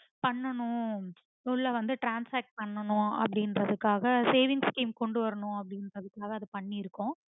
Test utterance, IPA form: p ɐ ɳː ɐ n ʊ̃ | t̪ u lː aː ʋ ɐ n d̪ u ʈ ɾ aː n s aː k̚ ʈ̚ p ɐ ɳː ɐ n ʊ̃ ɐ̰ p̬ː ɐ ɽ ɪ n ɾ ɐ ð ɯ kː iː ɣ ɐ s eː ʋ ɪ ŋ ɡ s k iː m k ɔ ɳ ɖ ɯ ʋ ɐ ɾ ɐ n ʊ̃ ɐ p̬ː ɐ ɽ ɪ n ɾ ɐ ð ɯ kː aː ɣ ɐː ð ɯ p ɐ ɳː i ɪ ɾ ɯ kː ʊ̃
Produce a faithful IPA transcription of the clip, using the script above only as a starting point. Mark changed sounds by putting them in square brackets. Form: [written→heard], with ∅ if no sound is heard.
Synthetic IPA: p ɐ ɳː ɐ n ʊ̃ | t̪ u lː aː ʋ ɐ n d̪ [u→ɯ] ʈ ɾ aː n s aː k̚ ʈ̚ p ɐ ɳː ɐ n ʊ̃ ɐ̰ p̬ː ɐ ɽ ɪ n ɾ ɐ ð ɯ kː [iː→aː] ɣ ɐ s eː ʋ ɪ ŋ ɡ s k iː m k ɔ ɳ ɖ ɯ ʋ ɐ ɾ ɐ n ʊ̃ ɐ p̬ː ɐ ɽ ɪ n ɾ ɐ ð ɯ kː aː ɣ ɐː ð ɯ p ɐ ɳː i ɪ ɾ ɯ kː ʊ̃